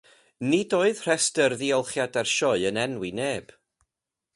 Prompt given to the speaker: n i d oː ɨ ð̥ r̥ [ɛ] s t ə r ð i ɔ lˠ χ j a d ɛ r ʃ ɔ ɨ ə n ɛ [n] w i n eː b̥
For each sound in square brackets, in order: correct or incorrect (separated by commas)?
correct, correct